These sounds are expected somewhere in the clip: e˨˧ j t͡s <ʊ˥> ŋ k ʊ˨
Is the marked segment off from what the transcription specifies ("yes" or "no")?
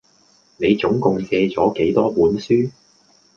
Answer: yes